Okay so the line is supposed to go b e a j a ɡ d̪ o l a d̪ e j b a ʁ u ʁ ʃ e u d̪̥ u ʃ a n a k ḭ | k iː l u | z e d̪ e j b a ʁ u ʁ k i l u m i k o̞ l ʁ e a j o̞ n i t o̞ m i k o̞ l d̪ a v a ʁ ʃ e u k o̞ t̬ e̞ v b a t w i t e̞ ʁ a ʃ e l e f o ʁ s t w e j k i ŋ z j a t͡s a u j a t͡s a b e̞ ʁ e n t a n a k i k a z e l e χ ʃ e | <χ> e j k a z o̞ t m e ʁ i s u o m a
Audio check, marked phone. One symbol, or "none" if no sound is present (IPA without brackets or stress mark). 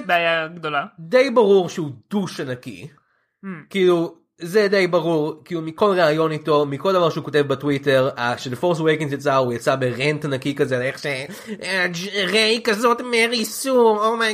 ʁ